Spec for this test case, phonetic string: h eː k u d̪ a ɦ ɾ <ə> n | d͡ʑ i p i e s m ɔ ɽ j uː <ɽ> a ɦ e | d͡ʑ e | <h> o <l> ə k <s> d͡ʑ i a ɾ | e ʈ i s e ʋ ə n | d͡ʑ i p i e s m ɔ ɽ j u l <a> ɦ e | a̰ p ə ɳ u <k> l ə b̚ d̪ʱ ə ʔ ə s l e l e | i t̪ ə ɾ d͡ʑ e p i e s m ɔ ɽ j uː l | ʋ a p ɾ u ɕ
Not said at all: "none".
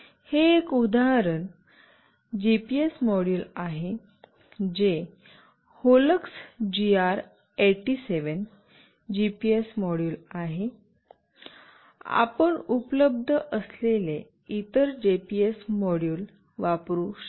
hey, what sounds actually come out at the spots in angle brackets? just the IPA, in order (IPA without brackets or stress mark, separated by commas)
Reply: ə, l, h, l, s, a, p